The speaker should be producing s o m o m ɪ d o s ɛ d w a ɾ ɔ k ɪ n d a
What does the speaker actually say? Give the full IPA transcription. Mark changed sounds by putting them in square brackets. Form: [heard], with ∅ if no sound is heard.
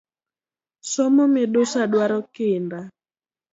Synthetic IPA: s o m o m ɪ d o s [a] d w a ɾ ɔ k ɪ n d a